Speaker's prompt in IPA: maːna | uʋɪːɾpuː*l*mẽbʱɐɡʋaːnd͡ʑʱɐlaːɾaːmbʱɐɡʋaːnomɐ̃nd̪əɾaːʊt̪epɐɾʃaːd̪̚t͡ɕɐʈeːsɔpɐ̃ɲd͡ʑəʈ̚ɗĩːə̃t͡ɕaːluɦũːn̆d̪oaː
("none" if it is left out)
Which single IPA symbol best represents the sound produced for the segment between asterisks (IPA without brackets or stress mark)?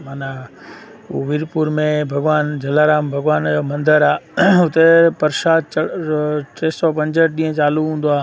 ɾ